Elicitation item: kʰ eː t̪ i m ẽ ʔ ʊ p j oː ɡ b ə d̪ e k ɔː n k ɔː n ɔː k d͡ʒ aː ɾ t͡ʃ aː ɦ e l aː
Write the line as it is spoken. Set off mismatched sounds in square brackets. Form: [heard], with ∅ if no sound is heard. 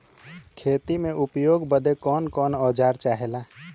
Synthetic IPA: kʰ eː t̪ i m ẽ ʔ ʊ p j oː ɡ b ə d̪ e k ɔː n k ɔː n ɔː [∅] d͡ʒ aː ɾ t͡ʃ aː ɦ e l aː